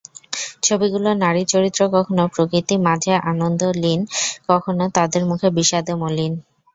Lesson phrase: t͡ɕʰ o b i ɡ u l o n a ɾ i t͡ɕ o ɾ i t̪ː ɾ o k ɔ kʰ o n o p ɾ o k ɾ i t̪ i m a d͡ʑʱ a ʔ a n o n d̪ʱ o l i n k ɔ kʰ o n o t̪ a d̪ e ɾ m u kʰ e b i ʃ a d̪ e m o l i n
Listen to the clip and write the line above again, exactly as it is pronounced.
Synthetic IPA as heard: t͡ɕʰ o b i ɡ u l o n a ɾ i t͡ɕ o ɾ i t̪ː ɾ o k ɔ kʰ o n o p ɾ o k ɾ i t̪ i m a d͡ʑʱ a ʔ a n o n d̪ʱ o l i n k ɔ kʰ o n o t̪ a d̪ e ɾ m u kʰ e b i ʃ a d̪ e m o l i n